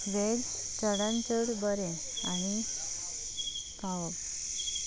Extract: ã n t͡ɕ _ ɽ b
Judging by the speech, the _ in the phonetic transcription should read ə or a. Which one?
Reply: ə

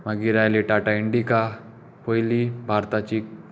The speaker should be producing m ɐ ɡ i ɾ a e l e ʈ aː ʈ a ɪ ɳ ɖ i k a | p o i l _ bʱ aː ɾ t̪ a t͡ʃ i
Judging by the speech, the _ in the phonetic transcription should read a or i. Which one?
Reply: i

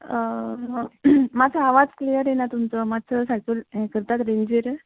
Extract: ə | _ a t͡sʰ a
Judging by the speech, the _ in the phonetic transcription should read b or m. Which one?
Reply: m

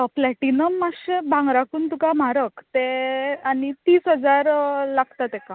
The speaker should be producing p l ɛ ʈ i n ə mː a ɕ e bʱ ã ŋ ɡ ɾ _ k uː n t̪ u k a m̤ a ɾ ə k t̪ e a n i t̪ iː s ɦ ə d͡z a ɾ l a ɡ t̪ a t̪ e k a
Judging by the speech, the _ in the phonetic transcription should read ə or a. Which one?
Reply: a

